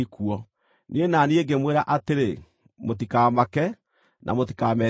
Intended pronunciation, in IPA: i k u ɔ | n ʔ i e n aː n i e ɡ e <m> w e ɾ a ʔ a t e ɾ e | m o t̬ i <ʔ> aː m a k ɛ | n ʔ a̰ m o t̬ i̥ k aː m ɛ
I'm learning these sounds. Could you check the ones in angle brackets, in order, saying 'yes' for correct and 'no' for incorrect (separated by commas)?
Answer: yes, no